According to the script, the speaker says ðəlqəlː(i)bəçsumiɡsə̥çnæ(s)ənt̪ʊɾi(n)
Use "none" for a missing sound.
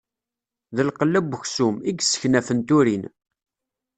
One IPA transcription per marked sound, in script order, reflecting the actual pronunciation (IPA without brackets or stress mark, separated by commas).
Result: æ, f, n